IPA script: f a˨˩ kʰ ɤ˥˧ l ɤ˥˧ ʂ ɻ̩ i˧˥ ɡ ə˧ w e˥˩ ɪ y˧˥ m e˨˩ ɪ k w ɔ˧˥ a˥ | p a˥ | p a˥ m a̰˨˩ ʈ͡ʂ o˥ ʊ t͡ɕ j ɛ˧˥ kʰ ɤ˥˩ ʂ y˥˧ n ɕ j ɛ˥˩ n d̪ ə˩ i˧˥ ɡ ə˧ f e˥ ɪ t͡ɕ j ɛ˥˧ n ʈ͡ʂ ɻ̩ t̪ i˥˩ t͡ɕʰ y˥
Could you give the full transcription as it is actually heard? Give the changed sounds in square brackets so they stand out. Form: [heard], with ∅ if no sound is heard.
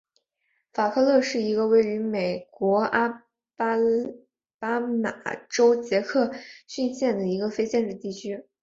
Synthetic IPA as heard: f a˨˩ kʰ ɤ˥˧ l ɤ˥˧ ʂ ɻ̩ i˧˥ ɡ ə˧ w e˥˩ ɪ y˧˥ m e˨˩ ɪ k w ɔ˧˥ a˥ | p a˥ | p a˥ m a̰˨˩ ʈ͡ʂ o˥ ʊ t͡ɕ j ɛ˧˥ kʰ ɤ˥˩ [ɕ] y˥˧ n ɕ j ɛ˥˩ n d̪ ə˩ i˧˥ ɡ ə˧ f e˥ ɪ t͡ɕ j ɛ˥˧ n ʈ͡ʂ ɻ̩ t̪ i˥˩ t͡ɕʰ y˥